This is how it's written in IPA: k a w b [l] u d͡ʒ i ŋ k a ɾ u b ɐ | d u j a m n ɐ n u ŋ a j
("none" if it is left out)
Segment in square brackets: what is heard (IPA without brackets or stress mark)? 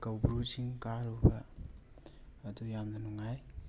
ɾ